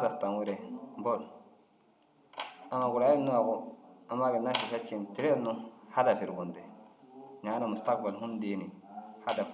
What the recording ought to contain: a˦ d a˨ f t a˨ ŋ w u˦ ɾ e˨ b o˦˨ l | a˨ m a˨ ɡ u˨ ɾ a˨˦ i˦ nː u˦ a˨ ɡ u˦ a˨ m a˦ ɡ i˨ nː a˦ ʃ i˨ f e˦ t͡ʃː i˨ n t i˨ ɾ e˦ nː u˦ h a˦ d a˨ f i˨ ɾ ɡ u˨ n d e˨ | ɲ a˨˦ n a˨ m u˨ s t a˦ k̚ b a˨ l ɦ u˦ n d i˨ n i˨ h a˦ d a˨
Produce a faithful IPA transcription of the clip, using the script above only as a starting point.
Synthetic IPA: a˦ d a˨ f t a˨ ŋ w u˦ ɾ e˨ b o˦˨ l | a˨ m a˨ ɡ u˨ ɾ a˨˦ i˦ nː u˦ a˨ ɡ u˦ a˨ m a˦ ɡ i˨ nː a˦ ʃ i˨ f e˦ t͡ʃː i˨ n t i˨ ɾ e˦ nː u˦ h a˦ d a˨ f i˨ ɾ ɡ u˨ n d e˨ | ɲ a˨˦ n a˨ m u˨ s t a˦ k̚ b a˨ l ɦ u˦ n d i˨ n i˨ h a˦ d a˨